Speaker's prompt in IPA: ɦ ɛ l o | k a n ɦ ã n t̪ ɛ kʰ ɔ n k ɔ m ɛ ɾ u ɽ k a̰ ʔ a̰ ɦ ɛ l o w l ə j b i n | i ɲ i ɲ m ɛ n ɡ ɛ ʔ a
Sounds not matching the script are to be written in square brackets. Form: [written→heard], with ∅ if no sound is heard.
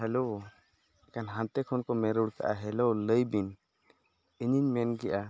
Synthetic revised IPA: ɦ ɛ l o | k a n ɦ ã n t̪ ɛ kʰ ɔ n k ɔ m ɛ ɾ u ɽ k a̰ ʔ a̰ ɦ ɛ l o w l ə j b i n | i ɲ i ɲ m ɛ n ɡ ɛ ʔ a